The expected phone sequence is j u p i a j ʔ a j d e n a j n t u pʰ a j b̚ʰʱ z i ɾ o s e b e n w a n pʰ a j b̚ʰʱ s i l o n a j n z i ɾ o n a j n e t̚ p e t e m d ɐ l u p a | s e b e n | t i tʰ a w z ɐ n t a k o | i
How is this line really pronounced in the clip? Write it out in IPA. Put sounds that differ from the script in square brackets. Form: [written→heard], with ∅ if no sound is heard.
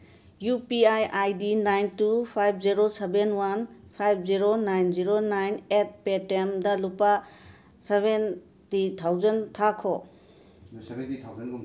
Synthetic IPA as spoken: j u p i a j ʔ a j d [e→i] n a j n t u pʰ a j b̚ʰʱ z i ɾ o s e b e n w a n pʰ a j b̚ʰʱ [s→z] i [l→ɾ] o n a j n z i ɾ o n a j n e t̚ p e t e m d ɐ l u p a | s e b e n | t i tʰ a w z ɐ n [t→tʰ] a [k→kʰ] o | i